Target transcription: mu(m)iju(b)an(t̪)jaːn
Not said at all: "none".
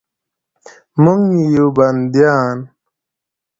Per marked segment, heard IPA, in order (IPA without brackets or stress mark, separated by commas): ŋ, b, d̪